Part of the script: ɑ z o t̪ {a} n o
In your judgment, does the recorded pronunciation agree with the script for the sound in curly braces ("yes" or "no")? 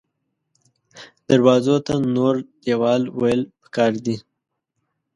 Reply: yes